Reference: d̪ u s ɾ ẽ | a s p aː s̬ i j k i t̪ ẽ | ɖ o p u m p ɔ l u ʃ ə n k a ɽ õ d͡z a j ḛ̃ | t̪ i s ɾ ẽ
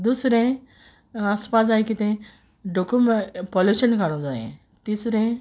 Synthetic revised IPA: d̪ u s ɾ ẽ | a s p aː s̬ a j k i t̪ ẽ | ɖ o k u m p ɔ l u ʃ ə n k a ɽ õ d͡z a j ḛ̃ | t̪ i s ɾ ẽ